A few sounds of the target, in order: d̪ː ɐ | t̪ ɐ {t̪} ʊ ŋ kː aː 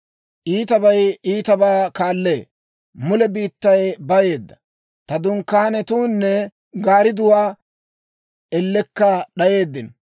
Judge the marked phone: incorrect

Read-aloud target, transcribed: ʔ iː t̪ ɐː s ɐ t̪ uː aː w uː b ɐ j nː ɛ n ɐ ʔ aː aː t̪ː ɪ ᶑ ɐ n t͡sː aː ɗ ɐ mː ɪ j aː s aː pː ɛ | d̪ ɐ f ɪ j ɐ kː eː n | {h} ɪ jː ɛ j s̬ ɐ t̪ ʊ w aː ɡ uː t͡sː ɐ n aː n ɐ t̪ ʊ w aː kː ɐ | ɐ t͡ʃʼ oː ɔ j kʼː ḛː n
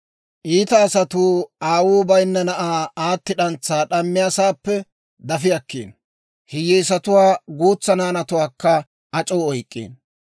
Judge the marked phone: correct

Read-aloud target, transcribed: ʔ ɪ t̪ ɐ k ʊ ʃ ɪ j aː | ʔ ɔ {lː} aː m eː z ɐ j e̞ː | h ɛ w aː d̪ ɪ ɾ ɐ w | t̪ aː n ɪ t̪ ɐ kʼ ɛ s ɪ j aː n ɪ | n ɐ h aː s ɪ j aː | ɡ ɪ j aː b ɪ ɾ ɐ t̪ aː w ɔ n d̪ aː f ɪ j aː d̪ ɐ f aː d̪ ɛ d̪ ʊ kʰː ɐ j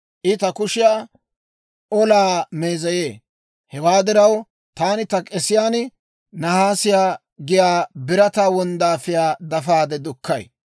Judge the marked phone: incorrect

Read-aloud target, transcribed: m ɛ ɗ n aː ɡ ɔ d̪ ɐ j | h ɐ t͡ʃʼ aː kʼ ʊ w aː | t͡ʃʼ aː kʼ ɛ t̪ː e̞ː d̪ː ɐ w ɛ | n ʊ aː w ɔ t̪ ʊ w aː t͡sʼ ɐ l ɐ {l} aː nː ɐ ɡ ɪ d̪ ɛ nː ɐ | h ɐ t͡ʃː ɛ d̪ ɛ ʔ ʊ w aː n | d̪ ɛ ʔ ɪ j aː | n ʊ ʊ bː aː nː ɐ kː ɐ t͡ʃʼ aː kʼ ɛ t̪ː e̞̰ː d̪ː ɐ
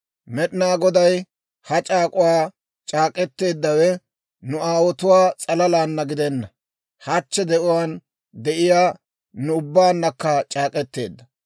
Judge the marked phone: correct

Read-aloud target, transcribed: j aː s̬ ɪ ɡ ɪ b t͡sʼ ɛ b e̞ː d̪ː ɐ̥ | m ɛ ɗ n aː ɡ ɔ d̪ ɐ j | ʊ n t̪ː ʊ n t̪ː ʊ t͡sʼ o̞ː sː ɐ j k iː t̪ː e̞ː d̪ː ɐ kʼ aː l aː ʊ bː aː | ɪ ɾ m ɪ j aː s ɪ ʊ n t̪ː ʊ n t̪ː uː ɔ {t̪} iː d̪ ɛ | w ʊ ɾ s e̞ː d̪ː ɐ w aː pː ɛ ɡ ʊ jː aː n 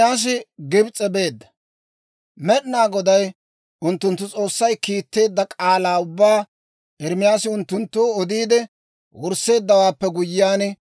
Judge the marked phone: incorrect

